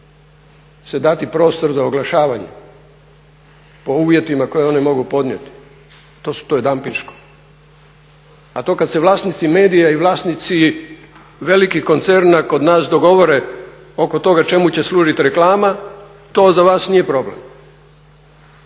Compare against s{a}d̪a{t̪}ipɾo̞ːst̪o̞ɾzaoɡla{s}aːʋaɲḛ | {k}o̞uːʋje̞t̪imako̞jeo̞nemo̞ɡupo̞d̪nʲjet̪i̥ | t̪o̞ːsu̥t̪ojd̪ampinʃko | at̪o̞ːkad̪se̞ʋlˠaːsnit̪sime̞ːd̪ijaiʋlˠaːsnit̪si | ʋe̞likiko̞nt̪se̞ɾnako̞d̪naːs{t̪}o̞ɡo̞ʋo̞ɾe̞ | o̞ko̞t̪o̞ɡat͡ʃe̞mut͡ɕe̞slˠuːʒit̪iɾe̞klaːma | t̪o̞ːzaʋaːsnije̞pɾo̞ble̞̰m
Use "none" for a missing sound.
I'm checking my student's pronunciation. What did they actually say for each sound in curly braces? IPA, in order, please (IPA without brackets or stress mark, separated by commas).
e, t̪, ʃ, p, d̪